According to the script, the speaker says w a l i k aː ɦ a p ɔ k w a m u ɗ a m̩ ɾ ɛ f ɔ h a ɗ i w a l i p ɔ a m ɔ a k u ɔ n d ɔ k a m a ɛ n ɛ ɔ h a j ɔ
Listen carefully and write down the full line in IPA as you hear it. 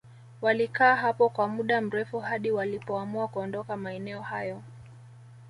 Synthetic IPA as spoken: w a l i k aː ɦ a p ɔ k w a m u ɗ a m̩ ɾ ɛ f u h a ɗ i w a l i p ɔ a m u a k u ɔ n d ɔ k a m a ɛ n ɛ ɔ h a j ɔ